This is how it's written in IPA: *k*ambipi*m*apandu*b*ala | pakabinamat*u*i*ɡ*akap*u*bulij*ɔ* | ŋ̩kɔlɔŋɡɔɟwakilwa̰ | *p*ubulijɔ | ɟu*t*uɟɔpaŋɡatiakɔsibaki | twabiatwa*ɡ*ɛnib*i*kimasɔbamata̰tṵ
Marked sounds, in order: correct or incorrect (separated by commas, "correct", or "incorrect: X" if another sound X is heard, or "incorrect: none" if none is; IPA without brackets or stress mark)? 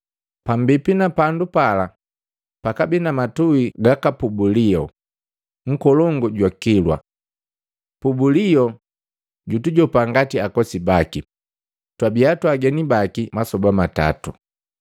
incorrect: p, incorrect: n, incorrect: p, correct, correct, correct, correct, correct, correct, correct, incorrect: a